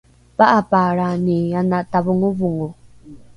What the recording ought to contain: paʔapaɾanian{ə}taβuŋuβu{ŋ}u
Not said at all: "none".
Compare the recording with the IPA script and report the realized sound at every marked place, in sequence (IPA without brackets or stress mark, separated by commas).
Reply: a, ŋ